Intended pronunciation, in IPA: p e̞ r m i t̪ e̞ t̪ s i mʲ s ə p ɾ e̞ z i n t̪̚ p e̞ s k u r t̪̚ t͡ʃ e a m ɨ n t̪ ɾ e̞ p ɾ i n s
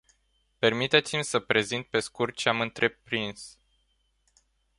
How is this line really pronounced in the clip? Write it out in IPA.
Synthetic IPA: p e̞ r m i t̪ e̞ t̪ s i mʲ s ə p ɾ e̞ z i n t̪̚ p e̞ s k u r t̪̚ t͡ʃ e a m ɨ n t̪ ɾ e̞ p ɾ i n s